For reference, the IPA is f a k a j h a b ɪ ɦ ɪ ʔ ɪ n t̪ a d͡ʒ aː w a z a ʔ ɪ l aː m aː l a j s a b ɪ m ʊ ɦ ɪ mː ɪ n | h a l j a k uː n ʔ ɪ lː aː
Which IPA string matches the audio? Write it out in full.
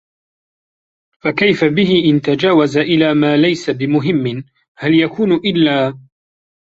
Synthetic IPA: f a k a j f a b ɪ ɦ ɪ ʔ ɪ n t̪ a d͡ʒ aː w a z a ʔ ɪ l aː m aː l a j s a b ɪ m ʊ ɦ ɪ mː ɪ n | h a l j a k uː n ʔ ɪ lː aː